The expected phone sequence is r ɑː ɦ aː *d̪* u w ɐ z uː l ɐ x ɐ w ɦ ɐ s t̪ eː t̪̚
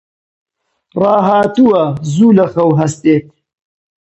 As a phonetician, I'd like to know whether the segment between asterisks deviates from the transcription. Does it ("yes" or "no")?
yes